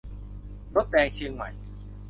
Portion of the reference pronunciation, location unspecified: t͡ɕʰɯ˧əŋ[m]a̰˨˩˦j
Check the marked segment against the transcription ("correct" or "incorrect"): correct